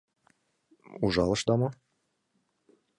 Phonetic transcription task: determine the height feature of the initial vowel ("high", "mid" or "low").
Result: high